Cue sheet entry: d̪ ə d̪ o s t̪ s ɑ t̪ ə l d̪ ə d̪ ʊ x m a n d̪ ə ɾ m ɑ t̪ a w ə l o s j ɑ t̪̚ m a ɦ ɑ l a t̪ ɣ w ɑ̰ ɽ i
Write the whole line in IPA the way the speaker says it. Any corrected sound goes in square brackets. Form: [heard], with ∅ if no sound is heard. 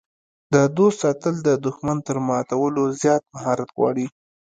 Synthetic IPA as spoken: d̪ ə d̪ o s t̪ s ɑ t̪ ə l d̪ ə d̪ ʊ x m a n [t̪] ə ɾ m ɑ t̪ a w ə l o [z] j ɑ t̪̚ m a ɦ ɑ [ɾ] a t̪ ɣ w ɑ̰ ɽ i